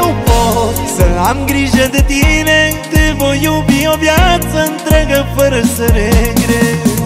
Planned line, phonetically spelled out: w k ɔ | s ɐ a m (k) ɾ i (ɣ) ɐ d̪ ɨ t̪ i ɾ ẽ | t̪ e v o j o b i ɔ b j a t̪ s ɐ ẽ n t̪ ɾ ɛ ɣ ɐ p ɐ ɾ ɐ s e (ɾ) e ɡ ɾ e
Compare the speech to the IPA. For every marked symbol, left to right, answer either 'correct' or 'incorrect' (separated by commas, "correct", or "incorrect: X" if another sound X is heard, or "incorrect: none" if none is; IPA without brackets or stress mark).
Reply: incorrect: ɡ, incorrect: ʒ, correct